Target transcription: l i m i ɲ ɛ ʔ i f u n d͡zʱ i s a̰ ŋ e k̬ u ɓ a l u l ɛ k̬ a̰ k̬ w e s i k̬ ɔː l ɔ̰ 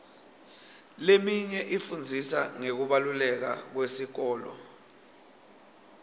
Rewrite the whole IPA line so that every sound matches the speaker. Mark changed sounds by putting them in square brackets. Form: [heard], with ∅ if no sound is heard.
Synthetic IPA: l [e] m i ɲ ɛ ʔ i f u n d͡zʱ i s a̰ ŋ e k̬ u ɓ a l u l ɛ k̬ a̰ k̬ w e s i k̬ ɔː l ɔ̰